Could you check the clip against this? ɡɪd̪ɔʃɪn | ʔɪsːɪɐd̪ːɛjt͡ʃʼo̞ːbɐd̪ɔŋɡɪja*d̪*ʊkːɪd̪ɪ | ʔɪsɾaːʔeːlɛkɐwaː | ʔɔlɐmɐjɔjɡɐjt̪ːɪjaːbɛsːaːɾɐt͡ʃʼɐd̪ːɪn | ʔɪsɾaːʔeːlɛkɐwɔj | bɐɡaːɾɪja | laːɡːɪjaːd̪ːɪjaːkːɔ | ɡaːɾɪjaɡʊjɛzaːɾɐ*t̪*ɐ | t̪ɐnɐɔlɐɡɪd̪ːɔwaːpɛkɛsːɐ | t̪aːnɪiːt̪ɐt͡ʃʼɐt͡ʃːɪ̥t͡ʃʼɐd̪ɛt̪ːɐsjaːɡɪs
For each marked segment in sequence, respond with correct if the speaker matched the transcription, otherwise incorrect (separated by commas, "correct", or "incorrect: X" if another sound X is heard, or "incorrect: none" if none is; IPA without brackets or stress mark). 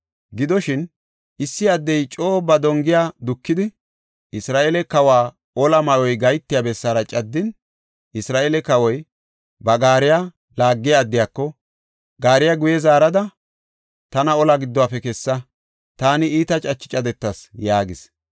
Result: correct, incorrect: d̪